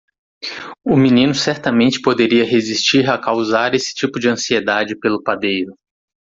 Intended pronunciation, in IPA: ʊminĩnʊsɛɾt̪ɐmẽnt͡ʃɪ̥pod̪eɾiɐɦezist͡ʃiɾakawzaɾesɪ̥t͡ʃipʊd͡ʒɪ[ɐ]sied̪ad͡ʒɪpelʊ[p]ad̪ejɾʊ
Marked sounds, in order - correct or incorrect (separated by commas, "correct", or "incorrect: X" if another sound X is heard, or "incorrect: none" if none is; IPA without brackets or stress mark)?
incorrect: ɐ̃, correct